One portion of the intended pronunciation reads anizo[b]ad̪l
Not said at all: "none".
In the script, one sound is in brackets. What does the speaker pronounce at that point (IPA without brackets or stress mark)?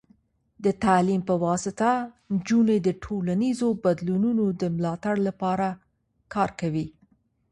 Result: b